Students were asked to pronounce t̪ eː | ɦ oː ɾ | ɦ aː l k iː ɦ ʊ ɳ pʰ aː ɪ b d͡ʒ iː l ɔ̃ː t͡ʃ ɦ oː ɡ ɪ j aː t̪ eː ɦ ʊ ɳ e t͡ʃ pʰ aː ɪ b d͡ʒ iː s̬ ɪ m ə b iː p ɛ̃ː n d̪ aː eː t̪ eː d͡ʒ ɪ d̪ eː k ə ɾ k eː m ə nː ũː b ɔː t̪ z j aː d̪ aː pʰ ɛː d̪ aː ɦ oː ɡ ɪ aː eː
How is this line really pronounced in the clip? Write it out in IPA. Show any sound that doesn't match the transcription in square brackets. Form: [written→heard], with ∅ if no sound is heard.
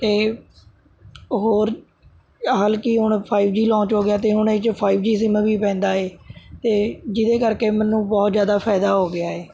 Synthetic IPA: t̪ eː | ɦ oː ɾ | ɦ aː l k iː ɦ ʊ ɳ pʰ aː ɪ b d͡ʒ iː l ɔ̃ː t͡ʃ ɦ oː ɡ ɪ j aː t̪ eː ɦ ʊ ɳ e t͡ʃ pʰ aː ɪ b d͡ʒ iː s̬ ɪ m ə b iː p ɛ̃ː n d̪ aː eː t̪ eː d͡ʒ ɪ d̪ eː k ə ɾ k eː m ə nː ũː b ɔː t̪ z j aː d̪ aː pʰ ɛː d̪ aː ɦ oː ɡ ɪ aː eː